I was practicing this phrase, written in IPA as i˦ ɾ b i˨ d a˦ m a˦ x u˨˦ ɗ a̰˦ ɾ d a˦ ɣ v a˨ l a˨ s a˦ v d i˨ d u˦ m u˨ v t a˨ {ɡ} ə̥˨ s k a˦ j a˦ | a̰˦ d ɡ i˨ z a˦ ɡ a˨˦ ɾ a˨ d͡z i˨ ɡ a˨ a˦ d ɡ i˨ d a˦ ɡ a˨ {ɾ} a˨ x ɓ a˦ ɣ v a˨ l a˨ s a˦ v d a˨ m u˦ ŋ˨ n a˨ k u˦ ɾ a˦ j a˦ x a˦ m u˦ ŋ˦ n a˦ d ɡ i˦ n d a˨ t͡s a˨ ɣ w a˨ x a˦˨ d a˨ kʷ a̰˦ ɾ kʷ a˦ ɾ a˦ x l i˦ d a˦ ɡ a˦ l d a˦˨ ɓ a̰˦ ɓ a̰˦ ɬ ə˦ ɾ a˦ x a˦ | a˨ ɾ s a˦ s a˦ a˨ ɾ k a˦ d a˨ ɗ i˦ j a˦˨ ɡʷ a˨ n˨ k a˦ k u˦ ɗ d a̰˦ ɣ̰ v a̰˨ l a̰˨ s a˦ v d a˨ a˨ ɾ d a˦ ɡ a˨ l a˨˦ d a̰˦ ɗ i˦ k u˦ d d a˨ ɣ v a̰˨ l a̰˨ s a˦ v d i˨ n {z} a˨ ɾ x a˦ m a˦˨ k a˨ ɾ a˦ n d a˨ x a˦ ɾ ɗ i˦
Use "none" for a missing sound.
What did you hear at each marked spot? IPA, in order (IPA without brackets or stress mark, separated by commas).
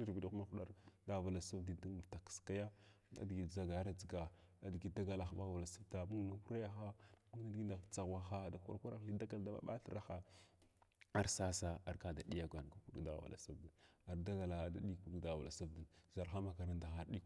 k, l, z